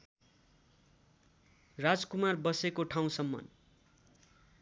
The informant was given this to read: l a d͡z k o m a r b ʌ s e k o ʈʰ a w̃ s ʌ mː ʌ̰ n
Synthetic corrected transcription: r a d͡z k u m a r b ʌ s e k o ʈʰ a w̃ s ʌ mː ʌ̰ n